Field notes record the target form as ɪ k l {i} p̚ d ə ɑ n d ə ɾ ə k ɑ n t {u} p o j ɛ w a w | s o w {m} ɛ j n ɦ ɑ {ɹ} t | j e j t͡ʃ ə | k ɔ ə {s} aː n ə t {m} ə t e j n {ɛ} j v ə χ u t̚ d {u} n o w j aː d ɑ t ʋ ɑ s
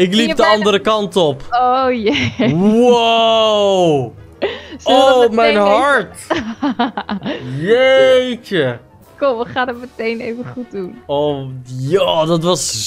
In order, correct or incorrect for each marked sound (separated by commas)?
correct, incorrect, correct, correct, incorrect, correct, incorrect, correct